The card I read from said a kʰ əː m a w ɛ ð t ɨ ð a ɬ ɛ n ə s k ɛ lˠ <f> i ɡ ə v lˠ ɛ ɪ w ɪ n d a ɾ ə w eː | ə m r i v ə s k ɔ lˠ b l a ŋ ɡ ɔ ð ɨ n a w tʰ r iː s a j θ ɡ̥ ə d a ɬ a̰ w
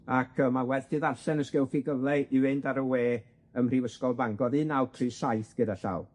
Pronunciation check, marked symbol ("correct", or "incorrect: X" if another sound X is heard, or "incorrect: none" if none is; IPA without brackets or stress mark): correct